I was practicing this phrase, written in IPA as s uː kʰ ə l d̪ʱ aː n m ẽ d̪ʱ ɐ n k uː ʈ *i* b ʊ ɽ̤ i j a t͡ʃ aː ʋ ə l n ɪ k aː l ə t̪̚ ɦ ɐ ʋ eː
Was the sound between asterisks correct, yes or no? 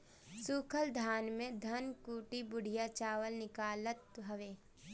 yes